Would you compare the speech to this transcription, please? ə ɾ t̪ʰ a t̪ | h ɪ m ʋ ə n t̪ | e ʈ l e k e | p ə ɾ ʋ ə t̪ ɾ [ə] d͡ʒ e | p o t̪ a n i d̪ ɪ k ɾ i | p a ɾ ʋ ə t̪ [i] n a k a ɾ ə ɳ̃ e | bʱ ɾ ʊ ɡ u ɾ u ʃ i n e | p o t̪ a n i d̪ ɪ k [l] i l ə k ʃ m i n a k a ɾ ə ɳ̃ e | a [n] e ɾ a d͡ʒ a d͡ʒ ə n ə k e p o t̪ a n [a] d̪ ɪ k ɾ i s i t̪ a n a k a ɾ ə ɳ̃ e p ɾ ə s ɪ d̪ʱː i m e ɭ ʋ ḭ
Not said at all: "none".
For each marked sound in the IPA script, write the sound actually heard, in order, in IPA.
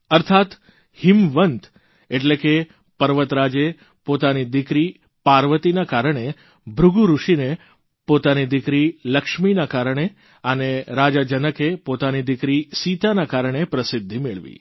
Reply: a, i, ɾ, n, i

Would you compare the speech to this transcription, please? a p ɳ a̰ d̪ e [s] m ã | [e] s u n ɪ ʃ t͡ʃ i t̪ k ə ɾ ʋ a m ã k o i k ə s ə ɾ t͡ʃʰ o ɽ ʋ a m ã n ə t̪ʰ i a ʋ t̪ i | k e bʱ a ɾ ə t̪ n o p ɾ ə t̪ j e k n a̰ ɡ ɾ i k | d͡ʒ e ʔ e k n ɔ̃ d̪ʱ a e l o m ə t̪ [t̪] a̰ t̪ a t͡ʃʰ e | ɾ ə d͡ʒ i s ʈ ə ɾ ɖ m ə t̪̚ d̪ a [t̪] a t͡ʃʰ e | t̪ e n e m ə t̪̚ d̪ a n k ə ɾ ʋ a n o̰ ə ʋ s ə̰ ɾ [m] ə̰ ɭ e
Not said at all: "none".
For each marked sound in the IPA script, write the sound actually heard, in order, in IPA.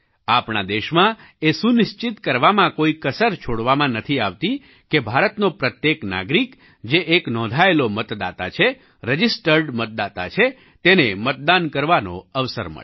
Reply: ʃ, e, d̪, t̪, m

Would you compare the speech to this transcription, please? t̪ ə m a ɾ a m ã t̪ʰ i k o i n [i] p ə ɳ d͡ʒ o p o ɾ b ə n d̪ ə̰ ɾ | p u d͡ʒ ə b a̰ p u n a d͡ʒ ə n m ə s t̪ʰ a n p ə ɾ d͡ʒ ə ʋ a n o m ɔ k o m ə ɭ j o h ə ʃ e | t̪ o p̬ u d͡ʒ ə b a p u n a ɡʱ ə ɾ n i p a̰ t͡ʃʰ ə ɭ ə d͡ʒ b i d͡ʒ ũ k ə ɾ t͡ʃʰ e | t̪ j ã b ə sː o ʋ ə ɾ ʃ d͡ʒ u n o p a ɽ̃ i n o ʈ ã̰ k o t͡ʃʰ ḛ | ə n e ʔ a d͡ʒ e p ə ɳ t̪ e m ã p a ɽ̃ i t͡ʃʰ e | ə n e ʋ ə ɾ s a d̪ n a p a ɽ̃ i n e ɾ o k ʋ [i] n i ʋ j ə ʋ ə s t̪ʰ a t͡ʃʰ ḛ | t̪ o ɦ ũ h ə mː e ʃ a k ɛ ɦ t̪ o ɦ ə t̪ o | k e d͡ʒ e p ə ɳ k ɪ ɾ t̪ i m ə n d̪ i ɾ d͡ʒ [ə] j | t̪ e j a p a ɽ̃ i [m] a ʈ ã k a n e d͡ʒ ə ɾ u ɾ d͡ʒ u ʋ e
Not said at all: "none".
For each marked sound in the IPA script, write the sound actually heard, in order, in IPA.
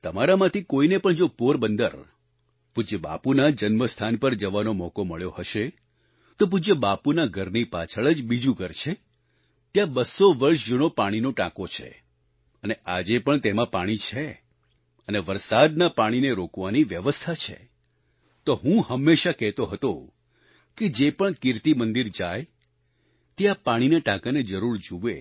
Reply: e, a, a, n

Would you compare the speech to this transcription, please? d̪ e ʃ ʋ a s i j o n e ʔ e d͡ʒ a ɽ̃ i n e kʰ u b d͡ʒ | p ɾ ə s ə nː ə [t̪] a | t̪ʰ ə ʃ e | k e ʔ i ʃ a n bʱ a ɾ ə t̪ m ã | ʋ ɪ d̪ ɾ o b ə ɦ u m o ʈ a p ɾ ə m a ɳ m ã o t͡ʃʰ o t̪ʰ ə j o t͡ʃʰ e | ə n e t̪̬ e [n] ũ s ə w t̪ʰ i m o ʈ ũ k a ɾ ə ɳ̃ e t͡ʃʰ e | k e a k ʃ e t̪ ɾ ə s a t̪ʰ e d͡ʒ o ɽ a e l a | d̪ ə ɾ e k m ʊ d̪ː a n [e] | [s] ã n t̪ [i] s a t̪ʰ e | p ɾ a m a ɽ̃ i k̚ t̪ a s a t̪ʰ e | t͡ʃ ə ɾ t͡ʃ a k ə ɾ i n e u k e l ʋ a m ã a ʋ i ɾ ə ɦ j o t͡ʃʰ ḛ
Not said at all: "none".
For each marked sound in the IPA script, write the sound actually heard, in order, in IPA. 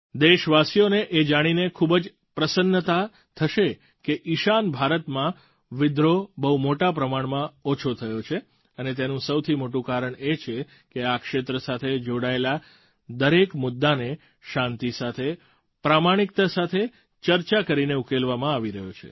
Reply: t̪, n, e, ʃ, i

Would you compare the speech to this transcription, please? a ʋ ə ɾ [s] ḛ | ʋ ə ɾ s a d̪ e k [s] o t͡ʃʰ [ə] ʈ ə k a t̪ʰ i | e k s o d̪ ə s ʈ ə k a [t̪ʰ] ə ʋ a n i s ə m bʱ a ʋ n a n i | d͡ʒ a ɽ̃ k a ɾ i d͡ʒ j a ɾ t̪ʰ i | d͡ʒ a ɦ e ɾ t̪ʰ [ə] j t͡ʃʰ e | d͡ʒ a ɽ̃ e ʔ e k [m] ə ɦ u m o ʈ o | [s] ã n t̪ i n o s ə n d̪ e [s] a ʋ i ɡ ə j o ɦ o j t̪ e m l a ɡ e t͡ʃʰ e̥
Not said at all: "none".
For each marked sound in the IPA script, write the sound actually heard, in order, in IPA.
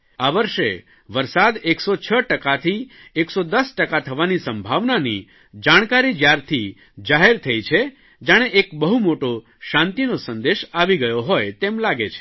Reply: ʃ, s, ə, t̪ʰ, ə, b, ʃ, ʃ

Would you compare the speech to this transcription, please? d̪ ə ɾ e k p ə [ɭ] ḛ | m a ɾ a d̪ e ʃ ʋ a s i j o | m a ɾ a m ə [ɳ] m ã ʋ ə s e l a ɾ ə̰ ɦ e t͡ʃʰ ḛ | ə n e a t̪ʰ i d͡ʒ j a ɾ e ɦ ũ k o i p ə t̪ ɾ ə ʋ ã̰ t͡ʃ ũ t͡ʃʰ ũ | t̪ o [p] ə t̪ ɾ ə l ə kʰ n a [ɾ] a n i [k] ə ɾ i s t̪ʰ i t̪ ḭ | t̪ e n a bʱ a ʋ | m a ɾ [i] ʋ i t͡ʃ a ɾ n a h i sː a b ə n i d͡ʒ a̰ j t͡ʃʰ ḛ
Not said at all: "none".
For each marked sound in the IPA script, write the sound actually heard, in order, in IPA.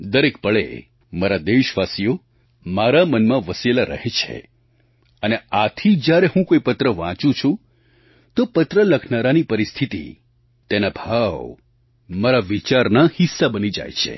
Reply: ɭ, n, p, ɾ, p, a

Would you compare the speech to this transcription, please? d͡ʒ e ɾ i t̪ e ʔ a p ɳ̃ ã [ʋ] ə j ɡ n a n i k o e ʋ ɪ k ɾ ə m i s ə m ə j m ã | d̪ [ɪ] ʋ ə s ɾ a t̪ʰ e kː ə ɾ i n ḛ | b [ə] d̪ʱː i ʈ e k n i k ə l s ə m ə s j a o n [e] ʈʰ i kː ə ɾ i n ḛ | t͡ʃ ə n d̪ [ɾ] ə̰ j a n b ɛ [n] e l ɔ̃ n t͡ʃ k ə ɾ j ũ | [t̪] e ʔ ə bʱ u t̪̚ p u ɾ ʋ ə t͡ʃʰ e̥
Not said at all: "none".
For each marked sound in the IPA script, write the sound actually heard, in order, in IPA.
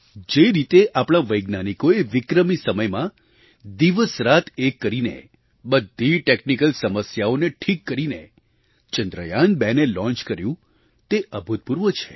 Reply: ʋ, i, ə, e, ɾ, n, t̪

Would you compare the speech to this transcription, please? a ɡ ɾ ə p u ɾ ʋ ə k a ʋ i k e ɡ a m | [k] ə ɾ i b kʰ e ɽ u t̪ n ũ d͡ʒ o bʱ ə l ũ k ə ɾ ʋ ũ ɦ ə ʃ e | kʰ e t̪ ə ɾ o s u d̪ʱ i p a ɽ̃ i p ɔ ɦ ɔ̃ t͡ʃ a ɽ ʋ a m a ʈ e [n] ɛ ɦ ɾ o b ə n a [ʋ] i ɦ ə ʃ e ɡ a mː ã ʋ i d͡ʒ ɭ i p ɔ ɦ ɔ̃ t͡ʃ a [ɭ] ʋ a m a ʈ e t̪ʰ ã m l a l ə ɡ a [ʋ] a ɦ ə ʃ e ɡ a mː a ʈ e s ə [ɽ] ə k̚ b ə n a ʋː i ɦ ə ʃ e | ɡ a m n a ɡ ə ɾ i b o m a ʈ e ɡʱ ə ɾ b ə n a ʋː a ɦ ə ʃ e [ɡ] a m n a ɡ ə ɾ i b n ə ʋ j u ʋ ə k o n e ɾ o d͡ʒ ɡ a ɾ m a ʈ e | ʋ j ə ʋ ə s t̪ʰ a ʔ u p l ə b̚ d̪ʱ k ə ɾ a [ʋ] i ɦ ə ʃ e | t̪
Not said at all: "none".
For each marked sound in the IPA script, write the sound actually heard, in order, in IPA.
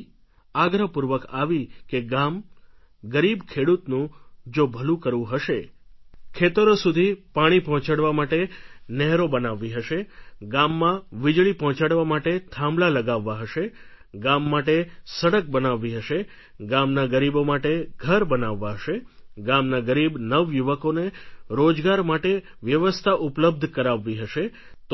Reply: ɡ, n, ʋː, ɽ, ʋː, ɽ, ɡ, ʋː

